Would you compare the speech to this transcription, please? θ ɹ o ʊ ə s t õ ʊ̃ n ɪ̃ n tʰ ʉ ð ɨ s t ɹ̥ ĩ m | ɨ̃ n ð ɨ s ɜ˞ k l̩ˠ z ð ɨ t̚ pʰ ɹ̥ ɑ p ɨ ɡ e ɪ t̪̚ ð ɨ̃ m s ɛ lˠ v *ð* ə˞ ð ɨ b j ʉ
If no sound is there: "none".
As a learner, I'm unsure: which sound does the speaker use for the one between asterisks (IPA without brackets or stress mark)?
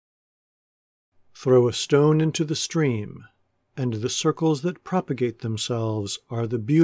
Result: z